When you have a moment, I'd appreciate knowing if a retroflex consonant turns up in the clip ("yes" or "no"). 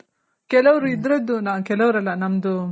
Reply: no